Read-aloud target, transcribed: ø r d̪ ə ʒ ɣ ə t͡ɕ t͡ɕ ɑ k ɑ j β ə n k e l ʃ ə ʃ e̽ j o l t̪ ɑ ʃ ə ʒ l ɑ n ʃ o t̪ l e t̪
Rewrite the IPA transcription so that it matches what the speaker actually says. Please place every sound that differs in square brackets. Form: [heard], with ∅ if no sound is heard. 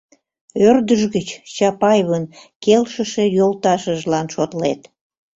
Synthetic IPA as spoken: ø r d̪ ə ʒ ɣ ə t͡ɕ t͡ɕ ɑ [p] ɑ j β ə n k e l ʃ ə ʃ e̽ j o l t̪ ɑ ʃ ə ʒ l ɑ n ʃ o t̪ l e t̪